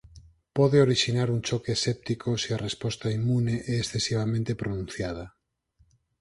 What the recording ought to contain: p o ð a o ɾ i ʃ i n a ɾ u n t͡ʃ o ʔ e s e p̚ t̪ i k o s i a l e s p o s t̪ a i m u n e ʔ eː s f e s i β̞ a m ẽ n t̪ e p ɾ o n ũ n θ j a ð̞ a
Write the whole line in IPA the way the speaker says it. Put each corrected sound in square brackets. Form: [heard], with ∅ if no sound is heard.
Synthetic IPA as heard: p o ð [e] o ɾ i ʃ i n a ɾ u n t͡ʃ o [k] e s e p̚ t̪ i k o s i a [r] e s p o s t̪ a i m u n e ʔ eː s [θ] e s i β̞ a m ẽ n t̪ e p ɾ o n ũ n θ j a ð̞ a